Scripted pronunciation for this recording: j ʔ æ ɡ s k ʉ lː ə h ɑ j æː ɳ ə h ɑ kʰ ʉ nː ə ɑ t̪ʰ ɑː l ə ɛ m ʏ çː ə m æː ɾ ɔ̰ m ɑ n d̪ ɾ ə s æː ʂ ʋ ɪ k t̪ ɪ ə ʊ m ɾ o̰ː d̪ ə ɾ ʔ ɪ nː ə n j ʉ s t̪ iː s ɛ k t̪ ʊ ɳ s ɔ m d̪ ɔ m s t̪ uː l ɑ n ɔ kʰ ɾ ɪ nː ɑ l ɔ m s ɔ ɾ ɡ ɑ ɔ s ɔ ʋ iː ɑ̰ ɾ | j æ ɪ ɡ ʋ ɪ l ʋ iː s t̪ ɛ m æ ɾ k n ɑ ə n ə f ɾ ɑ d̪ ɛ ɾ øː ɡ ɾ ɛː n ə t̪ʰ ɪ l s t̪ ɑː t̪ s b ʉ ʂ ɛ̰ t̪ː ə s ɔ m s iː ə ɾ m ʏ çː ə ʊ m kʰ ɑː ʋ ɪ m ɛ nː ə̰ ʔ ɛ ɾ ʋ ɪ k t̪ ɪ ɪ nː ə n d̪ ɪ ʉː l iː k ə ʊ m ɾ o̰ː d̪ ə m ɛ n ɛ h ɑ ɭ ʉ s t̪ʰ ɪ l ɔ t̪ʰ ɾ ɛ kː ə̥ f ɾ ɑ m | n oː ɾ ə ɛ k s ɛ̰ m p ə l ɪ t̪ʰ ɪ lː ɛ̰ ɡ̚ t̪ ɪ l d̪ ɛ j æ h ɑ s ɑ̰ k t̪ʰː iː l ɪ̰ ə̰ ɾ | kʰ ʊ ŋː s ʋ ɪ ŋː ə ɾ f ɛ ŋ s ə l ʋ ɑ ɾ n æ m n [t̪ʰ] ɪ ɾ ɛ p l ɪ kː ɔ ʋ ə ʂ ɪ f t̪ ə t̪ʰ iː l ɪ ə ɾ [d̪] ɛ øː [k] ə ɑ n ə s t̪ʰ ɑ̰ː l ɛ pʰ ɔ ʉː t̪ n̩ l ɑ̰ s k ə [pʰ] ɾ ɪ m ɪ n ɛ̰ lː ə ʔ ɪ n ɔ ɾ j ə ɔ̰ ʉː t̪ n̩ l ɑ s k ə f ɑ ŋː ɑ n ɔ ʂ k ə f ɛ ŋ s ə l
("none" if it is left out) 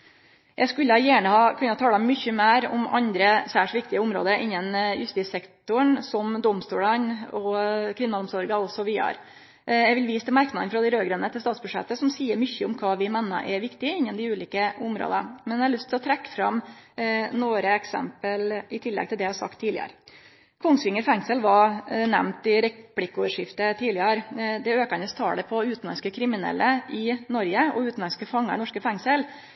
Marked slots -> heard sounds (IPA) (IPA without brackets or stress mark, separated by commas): t̪, d̪, k, kʰ